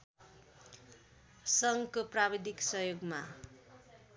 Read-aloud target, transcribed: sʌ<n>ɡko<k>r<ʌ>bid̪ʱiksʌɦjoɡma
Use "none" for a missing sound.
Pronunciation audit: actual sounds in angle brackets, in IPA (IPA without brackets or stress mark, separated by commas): ŋ, p, a